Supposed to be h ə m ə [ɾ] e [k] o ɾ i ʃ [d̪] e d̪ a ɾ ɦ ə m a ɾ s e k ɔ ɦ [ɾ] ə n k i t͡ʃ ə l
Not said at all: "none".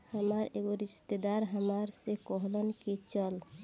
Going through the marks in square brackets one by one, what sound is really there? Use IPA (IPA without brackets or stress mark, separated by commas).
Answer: ɾ, ɡ, t̪, l